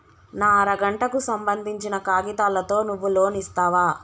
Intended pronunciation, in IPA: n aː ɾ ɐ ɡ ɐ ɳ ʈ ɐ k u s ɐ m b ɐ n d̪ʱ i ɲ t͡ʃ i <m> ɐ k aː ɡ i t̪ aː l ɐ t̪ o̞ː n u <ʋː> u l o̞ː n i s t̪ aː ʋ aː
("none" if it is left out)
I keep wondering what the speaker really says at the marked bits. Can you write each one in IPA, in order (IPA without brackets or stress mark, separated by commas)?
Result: n, ʋː